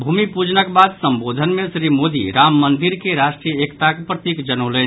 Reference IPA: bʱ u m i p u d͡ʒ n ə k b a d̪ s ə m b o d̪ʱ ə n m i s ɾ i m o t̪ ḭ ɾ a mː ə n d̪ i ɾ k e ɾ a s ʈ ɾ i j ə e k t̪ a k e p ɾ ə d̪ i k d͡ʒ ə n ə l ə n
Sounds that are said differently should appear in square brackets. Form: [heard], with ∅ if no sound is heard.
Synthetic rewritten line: bʱ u m i p u d͡ʒ n ə k b a d̪ s ə m b o d̪ʱ ə n m [e] s ɾ i m o [d̪] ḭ ɾ a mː ə n d̪ i ɾ k e ɾ a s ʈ ɾ i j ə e k t̪ a k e p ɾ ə [t̪] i k d͡ʒ ə n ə l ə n